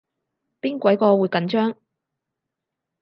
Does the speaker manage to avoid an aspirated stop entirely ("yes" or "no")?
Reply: yes